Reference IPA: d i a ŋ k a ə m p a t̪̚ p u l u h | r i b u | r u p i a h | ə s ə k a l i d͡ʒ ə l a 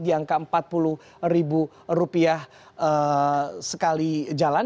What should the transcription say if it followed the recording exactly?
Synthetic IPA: d i a ŋ k a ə m p a t̪̚ p u l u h | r i b u | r u p i a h | ə s ə k a l i d͡ʒ a l a